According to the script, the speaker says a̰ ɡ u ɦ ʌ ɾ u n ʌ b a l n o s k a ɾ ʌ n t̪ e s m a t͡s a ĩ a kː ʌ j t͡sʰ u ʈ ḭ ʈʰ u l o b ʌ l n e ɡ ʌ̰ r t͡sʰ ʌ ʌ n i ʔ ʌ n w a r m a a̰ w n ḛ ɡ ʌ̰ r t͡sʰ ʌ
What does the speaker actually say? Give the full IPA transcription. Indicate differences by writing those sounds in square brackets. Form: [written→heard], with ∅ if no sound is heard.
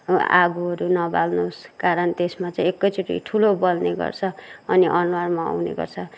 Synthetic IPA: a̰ ɡ u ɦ ʌ ɾ u n ʌ b a l n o s k a ɾ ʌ n t̪ e s m a t͡s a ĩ [a→e] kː ʌ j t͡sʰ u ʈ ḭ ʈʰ u l o b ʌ l n e ɡ ʌ̰ r t͡sʰ ʌ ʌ n i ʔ ʌ n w a r m a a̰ w n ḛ ɡ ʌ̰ r t͡sʰ ʌ